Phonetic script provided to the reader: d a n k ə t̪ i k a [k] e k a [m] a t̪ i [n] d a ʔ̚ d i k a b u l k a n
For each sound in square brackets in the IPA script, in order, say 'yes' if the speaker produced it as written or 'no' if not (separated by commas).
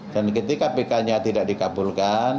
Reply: no, no, no